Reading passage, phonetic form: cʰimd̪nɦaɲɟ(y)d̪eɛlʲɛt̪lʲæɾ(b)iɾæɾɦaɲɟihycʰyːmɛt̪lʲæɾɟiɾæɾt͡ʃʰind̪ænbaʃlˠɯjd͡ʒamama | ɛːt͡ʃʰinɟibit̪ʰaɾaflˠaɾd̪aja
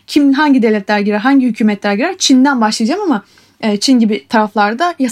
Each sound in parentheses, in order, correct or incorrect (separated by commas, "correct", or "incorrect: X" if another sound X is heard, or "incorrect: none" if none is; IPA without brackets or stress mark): incorrect: i, incorrect: ɟ